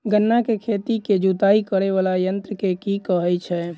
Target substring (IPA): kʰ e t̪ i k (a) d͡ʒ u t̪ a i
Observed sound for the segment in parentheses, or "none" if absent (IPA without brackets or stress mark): e